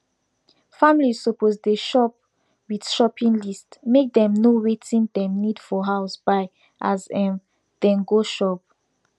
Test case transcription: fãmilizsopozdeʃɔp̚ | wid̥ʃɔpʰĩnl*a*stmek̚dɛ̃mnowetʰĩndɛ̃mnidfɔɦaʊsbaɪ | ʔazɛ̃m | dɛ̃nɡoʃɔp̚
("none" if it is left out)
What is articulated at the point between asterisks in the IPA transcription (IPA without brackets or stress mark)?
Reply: i